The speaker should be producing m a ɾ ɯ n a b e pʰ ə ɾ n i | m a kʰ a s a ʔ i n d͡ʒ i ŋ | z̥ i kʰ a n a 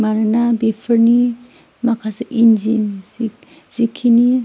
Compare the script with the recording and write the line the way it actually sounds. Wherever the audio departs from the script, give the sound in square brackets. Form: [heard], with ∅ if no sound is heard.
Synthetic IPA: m a ɾ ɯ n a b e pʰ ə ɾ n i | m a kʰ a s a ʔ i n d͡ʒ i [n] | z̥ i kʰ [i] n [i]

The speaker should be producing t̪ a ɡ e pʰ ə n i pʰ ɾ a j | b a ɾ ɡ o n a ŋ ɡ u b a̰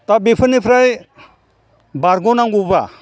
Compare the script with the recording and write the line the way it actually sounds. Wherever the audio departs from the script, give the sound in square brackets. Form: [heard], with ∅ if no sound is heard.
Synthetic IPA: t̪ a [b] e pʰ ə n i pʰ ɾ a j | b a ɾ ɡ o n a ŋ ɡ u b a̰

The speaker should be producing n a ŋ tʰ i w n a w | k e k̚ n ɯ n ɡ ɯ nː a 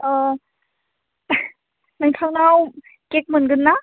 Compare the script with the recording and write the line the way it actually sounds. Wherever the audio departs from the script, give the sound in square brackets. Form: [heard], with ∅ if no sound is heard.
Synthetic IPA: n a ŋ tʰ [a] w n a w | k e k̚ [m] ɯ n ɡ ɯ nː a

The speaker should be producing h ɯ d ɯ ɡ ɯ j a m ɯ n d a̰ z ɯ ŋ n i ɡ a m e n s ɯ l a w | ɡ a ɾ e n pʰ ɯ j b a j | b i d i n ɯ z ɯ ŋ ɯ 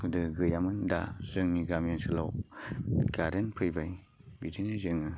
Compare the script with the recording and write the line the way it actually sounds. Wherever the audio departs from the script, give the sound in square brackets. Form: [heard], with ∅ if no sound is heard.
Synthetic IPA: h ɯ d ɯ ɡ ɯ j a m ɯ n d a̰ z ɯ ŋ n i ɡ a m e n s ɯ l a w | ɡ a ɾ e n pʰ ɯ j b a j | b i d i n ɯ z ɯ ŋ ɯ

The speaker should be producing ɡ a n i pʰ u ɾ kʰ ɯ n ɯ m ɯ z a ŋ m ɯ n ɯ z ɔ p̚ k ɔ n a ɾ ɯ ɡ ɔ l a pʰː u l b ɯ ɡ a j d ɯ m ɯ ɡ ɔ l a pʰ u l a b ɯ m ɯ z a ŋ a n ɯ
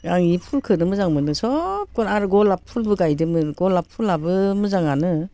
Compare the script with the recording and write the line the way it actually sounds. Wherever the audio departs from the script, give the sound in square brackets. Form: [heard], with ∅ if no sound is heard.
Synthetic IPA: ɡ a [ŋ] i pʰ u [l] kʰ ɯ n ɯ m ɯ z a ŋ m ɯ n ɯ [s] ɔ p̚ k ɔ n a ɾ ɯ ɡ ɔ l a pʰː u l b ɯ ɡ a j d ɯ m ɯ ɡ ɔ l a pʰ u l a b ɯ m ɯ z a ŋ a n ɯ

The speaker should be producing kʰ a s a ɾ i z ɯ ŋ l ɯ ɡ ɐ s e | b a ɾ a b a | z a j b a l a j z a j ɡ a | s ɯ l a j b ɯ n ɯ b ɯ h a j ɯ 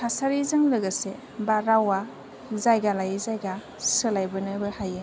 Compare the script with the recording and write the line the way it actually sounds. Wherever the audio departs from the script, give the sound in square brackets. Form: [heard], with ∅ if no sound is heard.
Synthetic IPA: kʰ a s a ɾ i z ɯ ŋ l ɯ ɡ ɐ s e | b a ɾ a [w] a | z a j [ɡ] a l a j z a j ɡ a | s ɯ l a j b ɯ n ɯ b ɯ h a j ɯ

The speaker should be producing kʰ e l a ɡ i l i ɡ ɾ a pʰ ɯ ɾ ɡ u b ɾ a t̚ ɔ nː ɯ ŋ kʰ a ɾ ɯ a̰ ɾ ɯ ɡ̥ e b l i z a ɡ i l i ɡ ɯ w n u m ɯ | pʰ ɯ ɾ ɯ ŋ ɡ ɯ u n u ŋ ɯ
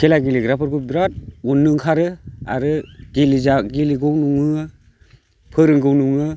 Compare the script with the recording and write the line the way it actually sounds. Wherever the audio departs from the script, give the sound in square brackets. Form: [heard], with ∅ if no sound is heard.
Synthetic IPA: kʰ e l a ɡ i l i ɡ ɾ a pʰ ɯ ɾ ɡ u b ɾ a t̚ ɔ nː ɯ ŋ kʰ a ɾ ɯ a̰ ɾ ɯ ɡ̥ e [∅] l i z a ɡ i l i ɡ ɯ w n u [ŋ] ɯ | pʰ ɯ ɾ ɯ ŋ ɡ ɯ [w] n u ŋ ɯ

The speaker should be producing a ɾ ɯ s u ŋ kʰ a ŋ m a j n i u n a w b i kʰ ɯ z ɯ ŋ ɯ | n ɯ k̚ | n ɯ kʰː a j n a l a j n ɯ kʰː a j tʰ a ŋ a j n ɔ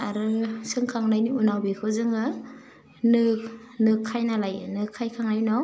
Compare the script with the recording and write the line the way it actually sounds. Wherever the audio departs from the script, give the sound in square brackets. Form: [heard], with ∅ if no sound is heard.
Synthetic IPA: a ɾ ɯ s [ɯ] ŋ kʰ a ŋ [n] a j n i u n a w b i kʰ ɯ z ɯ ŋ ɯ | n ɯ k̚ | n ɯ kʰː a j n a l a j n ɯ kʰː a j [kʰ] a ŋ a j n ɔ

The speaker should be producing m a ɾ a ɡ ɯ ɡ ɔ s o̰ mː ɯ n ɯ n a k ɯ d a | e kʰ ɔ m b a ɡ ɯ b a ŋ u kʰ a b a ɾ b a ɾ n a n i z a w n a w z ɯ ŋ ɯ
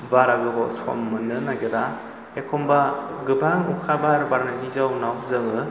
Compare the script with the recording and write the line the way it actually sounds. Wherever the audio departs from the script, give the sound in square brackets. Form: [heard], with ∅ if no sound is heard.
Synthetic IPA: [b] a ɾ a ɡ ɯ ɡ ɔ s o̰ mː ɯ n ɯ n a [ɡ] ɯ d a | e kʰ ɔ m b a ɡ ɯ b a ŋ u kʰ a b a ɾ b a ɾ n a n i z a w n a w z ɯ ŋ ɯ

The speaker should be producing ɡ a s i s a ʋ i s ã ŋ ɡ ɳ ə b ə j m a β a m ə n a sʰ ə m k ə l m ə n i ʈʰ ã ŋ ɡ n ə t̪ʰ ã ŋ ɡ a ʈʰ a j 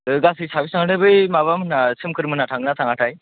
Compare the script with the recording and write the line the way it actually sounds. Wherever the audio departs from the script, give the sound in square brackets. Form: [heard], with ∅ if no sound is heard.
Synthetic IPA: ɡ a s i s a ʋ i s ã ŋ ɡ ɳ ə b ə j m a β a m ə n a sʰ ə m k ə [ɾ] m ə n [a] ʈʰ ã ŋ ɡ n [a] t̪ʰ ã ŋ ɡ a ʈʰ a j

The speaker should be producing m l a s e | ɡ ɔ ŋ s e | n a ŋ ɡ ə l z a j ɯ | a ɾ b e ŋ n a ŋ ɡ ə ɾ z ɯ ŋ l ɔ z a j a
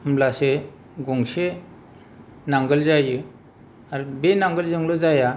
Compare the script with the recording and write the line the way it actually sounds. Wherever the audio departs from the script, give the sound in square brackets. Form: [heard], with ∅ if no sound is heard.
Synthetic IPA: m l a s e | ɡ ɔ ŋ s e | n a ŋ ɡ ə l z a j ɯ | a ɾ b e [∅] n a ŋ ɡ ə [l] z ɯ ŋ l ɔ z a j a

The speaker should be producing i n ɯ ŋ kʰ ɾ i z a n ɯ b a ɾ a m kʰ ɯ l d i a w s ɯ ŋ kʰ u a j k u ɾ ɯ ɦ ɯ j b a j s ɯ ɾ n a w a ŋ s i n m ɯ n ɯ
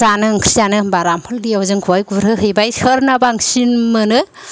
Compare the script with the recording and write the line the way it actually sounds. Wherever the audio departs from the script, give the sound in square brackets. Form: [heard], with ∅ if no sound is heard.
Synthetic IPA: [a] n ɯ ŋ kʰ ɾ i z a n ɯ b a ɾ a m [pʰ] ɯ l d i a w [z] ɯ ŋ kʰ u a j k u ɾ ɯ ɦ ɯ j b a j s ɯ ɾ n a [b] a ŋ s i n m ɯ n ɯ

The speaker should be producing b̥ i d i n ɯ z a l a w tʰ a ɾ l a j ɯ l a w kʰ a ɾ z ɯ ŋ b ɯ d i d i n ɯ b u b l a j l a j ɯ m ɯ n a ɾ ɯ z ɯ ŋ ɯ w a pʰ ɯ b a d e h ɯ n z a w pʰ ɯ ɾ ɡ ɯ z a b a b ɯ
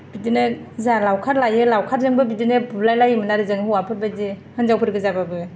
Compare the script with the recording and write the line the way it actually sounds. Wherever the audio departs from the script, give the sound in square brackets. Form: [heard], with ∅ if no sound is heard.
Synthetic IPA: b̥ i d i n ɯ z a l a w [kʰ] a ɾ l a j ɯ l a w kʰ a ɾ z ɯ ŋ b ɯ [b] i d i n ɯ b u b l a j l a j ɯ m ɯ n a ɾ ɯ z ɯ ŋ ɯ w a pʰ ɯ b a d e h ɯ n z a w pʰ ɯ ɾ ɡ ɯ z a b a b ɯ

